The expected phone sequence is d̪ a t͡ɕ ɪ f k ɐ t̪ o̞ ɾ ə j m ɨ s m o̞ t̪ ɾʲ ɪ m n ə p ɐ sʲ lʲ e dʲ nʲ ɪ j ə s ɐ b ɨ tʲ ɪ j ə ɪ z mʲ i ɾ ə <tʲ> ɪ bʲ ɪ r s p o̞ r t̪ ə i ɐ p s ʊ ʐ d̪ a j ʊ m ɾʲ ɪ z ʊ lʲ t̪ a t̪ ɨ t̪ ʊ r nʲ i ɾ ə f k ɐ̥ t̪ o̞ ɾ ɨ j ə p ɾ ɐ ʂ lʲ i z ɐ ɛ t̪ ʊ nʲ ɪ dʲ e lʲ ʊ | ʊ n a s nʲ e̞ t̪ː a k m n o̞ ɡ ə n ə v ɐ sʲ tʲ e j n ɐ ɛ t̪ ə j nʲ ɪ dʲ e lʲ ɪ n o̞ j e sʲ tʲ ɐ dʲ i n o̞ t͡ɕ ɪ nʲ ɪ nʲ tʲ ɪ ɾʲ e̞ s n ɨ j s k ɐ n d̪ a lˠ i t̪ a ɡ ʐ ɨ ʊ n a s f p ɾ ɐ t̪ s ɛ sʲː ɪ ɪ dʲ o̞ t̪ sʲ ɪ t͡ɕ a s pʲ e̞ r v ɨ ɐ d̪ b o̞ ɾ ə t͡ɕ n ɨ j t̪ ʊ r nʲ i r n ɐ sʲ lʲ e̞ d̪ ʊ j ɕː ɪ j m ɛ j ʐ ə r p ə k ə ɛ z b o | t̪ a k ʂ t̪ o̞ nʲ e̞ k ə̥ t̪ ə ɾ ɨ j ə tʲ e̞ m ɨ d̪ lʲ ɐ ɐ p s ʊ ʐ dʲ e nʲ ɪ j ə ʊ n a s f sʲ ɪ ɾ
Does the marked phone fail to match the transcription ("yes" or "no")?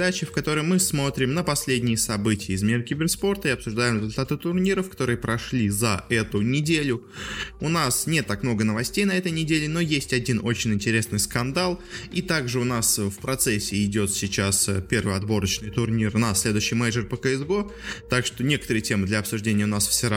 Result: yes